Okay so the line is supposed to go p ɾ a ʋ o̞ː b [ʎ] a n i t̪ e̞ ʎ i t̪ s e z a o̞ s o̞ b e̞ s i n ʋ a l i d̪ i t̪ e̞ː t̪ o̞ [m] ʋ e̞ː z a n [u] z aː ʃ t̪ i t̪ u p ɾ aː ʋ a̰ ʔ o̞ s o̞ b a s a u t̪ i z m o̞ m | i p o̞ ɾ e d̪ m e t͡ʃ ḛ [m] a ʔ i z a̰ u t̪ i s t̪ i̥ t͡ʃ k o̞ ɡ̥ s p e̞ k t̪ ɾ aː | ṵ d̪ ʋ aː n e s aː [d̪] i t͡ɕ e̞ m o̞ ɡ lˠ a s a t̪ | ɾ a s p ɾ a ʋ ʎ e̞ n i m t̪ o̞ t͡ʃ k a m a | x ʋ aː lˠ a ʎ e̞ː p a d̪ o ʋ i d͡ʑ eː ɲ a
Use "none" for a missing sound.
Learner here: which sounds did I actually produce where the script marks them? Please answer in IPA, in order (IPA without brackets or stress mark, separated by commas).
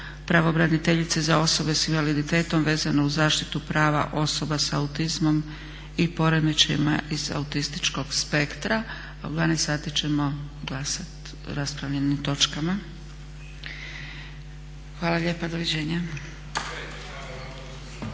ɾ, m, u, m, t̪